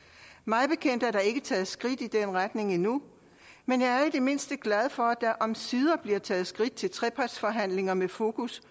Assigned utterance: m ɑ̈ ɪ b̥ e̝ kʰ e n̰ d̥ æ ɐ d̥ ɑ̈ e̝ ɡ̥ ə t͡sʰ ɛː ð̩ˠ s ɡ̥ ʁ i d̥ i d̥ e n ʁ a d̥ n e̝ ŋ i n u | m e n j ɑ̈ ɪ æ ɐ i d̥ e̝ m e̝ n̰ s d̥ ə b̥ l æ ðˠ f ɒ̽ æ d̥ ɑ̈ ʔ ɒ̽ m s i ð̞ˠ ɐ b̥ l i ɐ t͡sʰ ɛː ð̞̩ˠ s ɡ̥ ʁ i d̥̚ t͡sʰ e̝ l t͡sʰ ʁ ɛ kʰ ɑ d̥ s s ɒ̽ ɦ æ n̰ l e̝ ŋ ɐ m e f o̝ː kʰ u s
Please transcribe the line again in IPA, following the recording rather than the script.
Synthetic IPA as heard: m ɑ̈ ɪ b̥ e̝ kʰ e n̰ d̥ æ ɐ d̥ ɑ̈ e̝ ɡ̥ ə t͡sʰ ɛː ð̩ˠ s ɡ̥ ʁ i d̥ i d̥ e n ʁ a d̥ n e̝ ŋ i n u | m e n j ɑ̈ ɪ æ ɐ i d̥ e̝ m e̝ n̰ s d̥ ə ɡ̥ l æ ðˠ f ɒ̽ æ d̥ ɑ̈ ʔ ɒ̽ m s i ð̞ˠ ɐ b̥ l i ɐ t͡sʰ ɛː ð̞̩ˠ s ɡ̥ ʁ i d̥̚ t͡sʰ e̝ l t͡sʰ ʁ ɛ pʰ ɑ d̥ s f ɒ̽ ɦ æ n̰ l e̝ ŋ ɐ m e f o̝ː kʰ u s